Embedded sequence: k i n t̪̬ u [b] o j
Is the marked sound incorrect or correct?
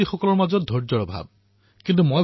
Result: incorrect